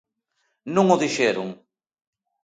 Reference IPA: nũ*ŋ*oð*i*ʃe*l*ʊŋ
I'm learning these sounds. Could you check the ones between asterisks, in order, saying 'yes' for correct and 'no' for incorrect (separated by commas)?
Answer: yes, yes, no